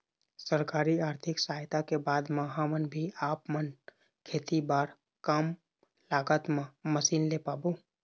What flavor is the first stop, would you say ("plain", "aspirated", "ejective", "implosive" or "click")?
plain